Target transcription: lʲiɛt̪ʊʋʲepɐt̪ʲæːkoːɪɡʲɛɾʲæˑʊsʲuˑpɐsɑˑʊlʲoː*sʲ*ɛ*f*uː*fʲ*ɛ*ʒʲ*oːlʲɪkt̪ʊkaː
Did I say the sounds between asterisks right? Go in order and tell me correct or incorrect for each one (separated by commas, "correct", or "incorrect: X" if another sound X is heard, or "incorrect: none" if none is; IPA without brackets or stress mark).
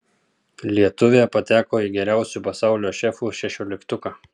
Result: incorrect: ʃʲ, correct, incorrect: ʃʲ, incorrect: ʃʲ